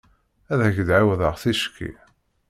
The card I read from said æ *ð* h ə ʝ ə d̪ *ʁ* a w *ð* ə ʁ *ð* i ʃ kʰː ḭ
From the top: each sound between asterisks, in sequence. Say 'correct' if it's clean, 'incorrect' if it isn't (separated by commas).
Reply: correct, incorrect, correct, incorrect